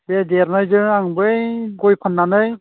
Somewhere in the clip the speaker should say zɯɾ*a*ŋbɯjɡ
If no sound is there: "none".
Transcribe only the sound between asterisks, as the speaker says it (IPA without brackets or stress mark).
a